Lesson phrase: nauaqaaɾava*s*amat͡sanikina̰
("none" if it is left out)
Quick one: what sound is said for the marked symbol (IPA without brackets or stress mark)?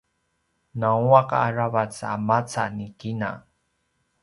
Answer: t͡s